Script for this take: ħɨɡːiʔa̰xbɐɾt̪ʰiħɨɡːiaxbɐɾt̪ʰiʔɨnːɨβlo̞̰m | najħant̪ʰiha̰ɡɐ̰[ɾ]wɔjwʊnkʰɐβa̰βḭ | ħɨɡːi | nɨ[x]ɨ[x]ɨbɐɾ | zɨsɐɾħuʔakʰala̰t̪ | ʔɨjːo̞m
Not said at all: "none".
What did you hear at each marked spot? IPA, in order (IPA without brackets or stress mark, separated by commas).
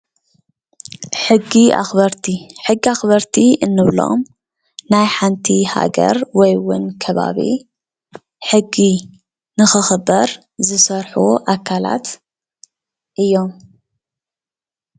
ɾ, x, x